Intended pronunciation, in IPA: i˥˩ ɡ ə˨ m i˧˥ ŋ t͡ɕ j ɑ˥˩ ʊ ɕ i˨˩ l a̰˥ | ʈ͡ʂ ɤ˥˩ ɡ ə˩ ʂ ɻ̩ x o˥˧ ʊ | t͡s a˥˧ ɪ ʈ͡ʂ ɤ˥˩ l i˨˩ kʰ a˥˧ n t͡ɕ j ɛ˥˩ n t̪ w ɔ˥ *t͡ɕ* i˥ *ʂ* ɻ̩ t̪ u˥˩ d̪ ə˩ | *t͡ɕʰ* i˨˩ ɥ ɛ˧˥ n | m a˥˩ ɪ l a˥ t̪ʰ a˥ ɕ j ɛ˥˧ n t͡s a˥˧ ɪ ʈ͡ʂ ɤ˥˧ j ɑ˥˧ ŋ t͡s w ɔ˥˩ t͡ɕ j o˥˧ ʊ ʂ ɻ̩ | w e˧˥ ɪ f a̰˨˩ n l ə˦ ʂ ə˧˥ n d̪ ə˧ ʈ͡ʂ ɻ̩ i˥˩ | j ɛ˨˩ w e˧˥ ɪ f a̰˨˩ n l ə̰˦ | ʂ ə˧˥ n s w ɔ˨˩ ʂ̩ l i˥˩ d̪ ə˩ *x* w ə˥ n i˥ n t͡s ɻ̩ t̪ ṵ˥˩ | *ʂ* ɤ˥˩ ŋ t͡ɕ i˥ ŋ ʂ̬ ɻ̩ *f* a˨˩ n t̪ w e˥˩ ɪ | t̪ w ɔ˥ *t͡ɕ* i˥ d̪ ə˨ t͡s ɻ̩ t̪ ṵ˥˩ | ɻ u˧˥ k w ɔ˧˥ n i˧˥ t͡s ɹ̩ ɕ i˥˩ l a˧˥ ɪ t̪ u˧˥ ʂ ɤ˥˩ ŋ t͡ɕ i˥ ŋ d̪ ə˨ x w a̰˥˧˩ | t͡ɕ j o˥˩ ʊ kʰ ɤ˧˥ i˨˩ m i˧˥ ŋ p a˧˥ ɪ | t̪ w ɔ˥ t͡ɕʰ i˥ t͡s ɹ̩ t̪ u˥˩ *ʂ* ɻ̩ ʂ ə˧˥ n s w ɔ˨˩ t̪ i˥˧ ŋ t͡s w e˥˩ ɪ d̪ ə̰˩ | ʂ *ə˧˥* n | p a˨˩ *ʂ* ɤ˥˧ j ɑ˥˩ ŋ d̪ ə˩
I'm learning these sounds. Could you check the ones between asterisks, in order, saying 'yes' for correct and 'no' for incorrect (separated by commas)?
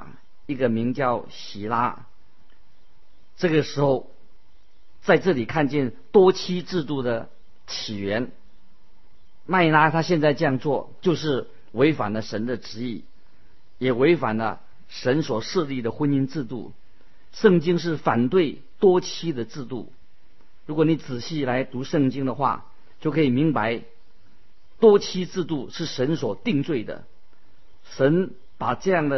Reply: no, no, yes, yes, yes, yes, no, yes, yes, no